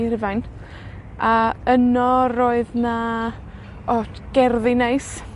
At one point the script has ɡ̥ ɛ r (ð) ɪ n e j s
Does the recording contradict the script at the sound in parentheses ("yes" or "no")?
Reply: no